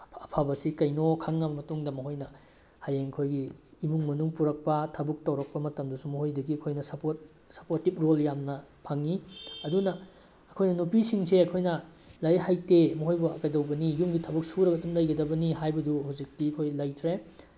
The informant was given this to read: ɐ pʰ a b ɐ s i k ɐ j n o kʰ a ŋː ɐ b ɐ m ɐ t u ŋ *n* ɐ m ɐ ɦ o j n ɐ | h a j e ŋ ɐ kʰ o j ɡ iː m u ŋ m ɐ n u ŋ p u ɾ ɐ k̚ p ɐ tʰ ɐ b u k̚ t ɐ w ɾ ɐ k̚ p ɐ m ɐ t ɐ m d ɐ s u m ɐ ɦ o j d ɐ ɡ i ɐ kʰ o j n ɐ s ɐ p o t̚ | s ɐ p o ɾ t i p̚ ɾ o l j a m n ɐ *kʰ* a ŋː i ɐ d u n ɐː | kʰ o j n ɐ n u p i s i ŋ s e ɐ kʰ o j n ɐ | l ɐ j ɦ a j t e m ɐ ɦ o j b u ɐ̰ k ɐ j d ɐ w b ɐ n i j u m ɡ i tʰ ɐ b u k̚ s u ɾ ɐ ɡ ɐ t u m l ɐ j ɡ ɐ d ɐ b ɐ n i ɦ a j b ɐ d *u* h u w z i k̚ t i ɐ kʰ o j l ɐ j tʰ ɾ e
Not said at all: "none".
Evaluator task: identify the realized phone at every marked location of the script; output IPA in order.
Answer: d, pʰ, u

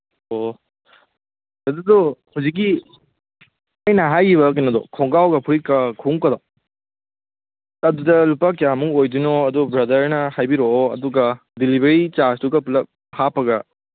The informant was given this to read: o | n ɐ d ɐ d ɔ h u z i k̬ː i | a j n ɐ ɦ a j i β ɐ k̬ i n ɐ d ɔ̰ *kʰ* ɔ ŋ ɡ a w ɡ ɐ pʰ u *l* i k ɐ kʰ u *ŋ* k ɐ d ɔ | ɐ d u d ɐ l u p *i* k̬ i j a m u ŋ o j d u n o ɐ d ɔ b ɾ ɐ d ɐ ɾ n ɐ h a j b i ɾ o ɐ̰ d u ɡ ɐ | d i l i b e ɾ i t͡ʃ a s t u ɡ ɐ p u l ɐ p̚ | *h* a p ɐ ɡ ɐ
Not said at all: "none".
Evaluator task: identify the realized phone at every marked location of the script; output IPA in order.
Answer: kʰ, ɾ, ŋ, a, h

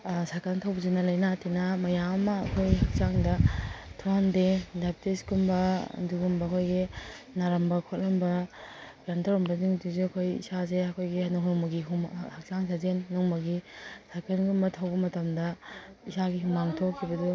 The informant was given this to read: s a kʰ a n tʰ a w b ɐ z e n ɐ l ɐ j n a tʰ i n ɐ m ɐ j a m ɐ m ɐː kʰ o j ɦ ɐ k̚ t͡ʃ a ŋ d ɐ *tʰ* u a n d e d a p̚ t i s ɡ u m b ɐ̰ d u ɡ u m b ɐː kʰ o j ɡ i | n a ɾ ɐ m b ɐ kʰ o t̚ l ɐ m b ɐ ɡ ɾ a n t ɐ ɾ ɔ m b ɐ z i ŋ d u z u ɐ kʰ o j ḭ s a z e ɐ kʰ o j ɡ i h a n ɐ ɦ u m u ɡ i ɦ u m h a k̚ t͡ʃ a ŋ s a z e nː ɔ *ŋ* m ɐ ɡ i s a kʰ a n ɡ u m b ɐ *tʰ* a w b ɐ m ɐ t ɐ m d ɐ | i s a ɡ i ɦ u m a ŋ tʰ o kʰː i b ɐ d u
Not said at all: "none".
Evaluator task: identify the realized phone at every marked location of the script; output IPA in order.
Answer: tʰ, ŋ, tʰ

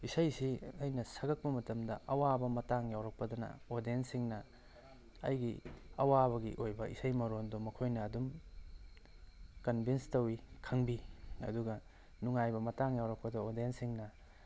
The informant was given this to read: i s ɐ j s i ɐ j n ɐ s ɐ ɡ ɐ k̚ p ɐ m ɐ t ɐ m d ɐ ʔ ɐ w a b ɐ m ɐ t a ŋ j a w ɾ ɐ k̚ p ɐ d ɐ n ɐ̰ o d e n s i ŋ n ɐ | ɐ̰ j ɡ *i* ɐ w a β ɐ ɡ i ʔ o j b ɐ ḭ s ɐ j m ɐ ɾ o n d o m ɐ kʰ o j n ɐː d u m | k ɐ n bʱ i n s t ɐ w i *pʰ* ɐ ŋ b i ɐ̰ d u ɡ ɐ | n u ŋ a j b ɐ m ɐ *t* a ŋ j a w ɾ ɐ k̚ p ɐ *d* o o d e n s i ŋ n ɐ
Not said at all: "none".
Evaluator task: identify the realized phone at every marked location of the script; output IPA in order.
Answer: i, kʰ, t, d

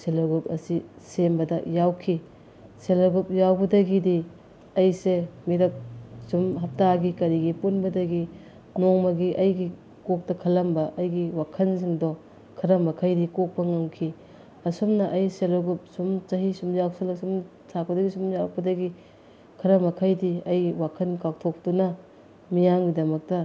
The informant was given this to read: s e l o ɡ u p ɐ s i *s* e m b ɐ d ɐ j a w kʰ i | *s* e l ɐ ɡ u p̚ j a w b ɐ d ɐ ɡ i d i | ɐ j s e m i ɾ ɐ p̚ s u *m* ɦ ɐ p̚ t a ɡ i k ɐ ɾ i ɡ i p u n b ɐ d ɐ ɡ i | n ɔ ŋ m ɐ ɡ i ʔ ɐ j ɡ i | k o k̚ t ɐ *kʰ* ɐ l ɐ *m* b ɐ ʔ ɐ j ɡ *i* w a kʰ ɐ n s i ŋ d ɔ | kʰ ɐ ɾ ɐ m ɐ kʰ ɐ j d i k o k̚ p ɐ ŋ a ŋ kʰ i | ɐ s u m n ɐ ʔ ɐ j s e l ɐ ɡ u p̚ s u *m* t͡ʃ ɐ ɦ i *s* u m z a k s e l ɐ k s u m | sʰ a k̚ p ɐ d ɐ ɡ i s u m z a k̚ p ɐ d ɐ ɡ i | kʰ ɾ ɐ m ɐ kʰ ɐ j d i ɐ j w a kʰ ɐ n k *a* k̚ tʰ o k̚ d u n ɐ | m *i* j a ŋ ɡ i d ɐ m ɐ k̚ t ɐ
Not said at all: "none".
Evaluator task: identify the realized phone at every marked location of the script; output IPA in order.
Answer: s, s, m, kʰ, m, i, m, s, a, i

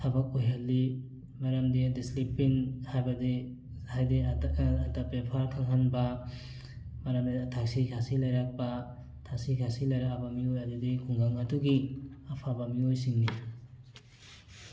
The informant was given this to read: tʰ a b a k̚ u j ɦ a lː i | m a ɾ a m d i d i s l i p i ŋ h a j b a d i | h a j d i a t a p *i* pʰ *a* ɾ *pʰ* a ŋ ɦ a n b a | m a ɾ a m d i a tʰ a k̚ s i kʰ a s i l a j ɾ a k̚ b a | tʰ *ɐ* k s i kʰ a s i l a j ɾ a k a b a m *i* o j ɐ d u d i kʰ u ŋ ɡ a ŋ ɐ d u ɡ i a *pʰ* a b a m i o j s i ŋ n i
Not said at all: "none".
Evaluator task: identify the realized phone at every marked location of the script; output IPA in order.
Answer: e, a, kʰ, a, i, pʰ

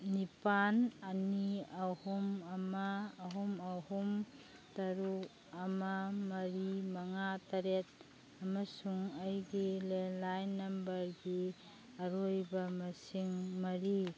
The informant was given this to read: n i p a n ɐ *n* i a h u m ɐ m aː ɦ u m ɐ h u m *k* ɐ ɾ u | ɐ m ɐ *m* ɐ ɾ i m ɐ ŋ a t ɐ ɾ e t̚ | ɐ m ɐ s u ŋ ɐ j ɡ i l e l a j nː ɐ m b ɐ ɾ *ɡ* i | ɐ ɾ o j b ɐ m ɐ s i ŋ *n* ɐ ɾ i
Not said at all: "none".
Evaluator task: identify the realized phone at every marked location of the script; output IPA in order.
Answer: n, t, m, ɡ, m

